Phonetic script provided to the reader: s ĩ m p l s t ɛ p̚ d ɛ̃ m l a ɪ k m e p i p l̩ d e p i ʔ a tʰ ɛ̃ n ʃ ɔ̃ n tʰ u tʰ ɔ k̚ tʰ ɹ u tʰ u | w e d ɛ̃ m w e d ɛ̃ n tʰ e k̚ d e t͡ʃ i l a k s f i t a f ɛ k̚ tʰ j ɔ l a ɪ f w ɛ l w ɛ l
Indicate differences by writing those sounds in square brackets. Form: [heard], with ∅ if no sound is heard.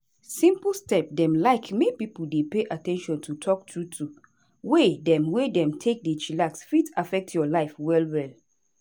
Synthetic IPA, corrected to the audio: s ĩ m p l s t ɛ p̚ d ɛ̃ m l a ɪ k m e p i p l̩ d e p [e] ʔ a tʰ ɛ̃ n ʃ ɔ̃ n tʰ u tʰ ɔ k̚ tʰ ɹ u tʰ u | w e d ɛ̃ m w e d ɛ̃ [m] tʰ e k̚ d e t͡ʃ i l a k s f i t a f ɛ k̚ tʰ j ɔ l a ɪ f w ɛ l w ɛ l